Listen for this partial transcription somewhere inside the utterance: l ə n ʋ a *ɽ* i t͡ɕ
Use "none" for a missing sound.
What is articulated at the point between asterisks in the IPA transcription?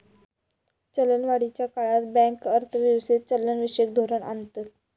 ɽ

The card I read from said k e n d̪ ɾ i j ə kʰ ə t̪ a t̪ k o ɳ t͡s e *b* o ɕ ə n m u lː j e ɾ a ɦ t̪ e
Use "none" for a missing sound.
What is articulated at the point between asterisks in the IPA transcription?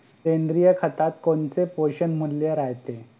p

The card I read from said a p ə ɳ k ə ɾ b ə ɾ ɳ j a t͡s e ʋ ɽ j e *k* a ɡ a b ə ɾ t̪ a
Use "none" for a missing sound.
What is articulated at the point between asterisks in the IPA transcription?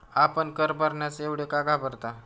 k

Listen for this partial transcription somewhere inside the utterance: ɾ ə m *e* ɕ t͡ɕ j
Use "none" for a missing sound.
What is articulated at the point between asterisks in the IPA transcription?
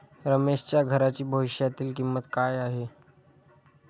e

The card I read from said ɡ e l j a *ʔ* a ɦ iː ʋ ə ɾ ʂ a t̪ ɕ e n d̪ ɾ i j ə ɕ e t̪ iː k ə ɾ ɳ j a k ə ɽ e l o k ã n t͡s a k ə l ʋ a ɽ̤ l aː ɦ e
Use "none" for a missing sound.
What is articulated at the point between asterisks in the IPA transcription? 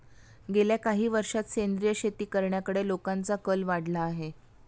k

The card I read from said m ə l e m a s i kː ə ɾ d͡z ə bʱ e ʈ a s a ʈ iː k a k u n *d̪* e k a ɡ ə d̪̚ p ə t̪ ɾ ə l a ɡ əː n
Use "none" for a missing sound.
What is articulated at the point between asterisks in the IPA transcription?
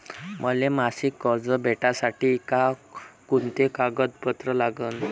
t̪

